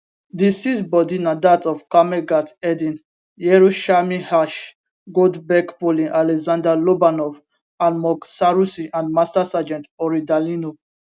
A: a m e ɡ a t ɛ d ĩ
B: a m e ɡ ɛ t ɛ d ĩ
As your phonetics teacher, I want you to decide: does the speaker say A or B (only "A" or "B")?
A